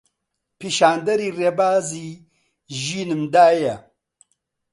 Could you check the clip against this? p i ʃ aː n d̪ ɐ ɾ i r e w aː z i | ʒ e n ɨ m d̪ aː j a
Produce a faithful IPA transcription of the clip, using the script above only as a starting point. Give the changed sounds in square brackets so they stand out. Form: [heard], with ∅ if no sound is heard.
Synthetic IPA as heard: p i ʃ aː n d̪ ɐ ɾ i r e [b] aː z i | ʒ [i] n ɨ m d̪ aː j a